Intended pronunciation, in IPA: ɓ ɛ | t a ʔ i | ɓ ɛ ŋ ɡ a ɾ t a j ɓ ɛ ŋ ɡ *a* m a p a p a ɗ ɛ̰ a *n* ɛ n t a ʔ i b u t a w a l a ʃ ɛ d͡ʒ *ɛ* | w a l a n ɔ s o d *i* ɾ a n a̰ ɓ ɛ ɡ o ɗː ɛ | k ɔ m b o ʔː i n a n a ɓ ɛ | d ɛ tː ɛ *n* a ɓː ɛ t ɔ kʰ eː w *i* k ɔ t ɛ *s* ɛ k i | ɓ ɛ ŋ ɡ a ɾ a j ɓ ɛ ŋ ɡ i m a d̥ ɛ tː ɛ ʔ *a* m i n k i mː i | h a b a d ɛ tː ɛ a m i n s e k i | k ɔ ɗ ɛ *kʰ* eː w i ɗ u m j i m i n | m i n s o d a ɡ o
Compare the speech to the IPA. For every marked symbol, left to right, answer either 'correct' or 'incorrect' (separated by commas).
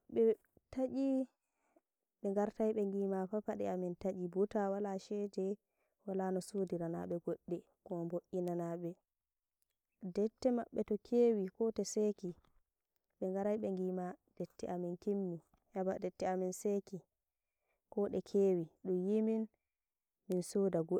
incorrect, incorrect, correct, correct, incorrect, correct, correct, correct, correct